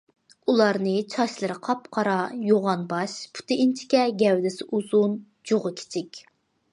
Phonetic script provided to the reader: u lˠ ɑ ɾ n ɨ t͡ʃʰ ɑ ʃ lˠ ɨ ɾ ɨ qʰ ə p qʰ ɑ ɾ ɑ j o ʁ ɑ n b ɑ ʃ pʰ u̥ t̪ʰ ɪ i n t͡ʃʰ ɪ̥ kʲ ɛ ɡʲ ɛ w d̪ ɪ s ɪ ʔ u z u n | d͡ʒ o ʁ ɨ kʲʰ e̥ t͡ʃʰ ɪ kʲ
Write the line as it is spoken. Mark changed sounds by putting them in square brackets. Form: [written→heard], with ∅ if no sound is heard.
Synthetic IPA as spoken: u lˠ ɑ ɾ n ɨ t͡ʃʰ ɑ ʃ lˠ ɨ ɾ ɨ qʰ [ə→ɑ] p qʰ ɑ ɾ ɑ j o ʁ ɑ n b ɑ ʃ pʰ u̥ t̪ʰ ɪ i n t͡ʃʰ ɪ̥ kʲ ɛ ɡʲ ɛ w d̪ ɪ s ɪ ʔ u z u n | d͡ʒ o ʁ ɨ kʲʰ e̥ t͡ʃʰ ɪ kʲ